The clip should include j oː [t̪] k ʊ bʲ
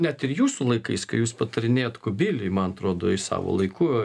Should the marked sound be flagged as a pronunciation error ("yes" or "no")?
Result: no